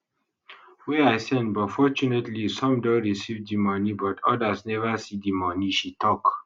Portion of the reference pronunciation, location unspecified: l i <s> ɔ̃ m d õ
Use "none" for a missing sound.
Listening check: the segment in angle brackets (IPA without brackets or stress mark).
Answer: s